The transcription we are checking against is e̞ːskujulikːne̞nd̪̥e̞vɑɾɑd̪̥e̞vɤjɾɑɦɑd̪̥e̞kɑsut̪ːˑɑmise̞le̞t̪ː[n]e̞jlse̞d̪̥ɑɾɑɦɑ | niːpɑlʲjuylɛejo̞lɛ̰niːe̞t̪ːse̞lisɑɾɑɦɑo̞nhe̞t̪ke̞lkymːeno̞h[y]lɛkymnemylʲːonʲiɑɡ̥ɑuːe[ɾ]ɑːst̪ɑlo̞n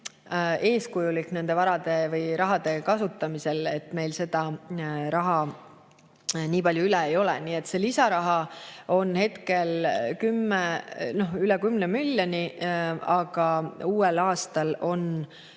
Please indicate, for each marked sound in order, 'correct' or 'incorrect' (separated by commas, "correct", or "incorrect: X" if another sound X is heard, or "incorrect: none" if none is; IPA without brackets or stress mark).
incorrect: m, correct, incorrect: l